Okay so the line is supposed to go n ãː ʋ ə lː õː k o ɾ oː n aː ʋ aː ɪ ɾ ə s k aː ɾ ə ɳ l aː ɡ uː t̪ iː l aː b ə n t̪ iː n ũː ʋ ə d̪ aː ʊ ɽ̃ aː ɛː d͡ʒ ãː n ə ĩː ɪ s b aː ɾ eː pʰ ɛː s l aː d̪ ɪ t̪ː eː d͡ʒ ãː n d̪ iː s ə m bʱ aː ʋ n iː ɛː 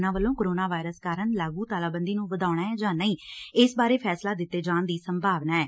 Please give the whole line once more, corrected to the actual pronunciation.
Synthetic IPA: n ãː ʋ ə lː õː k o ɾ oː n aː ʋ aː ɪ ɾ ə s k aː ɾ ə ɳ l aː ɡ uː t̪ aː l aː b ə n d̪ iː n ũː ʋ ə d̪ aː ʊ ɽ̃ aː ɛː d͡ʒ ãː n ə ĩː ɪ s b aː ɾ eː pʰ ɛː s l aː d̪ ɪ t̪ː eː d͡ʒ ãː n d̪ iː s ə m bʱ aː ʋ n aː ɛː